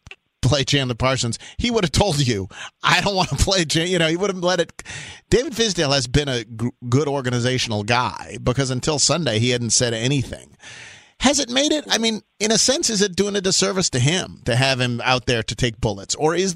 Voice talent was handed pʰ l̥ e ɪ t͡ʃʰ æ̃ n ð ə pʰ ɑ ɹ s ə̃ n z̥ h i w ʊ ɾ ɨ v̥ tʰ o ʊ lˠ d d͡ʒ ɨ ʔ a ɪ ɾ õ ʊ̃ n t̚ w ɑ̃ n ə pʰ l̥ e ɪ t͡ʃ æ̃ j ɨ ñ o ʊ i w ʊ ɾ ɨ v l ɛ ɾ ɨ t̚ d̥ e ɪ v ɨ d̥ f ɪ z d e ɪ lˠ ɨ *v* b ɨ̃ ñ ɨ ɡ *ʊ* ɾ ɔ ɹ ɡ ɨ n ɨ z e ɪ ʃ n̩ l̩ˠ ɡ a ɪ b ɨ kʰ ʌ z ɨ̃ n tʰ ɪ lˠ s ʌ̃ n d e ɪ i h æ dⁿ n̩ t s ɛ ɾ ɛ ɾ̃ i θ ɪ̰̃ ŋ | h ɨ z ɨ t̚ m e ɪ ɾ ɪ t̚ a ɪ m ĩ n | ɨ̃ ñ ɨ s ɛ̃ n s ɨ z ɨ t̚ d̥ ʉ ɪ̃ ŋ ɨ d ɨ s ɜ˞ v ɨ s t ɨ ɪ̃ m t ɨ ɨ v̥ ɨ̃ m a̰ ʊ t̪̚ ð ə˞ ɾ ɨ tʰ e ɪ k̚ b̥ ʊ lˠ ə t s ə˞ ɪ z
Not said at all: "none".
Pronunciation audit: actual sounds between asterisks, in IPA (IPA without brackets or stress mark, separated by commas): z, ʊ